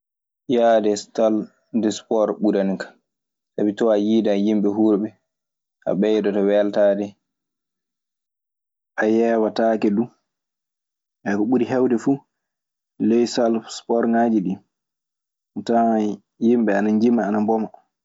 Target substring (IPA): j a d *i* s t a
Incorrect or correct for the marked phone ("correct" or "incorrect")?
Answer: incorrect